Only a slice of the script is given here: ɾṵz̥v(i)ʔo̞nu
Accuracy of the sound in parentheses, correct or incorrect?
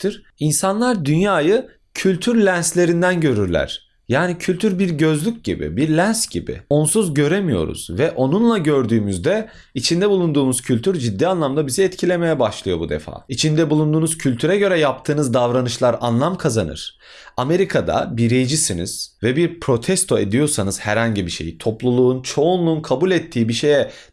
incorrect